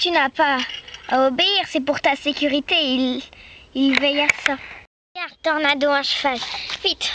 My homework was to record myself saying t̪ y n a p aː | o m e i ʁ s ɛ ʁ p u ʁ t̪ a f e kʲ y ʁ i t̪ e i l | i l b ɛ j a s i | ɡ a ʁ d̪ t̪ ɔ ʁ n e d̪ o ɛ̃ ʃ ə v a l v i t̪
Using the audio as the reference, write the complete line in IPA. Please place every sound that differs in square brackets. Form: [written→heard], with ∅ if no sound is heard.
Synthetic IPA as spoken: t̪ y n a p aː | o [m→b] e i ʁ s ɛ [ʁ→∅] p u ʁ t̪ a [f→s] e kʲ y ʁ i t̪ e i l | i l [b→v] ɛ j a s [i→a] | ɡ a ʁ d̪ t̪ ɔ ʁ n [e→a] d̪ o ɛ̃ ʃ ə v a l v i t̪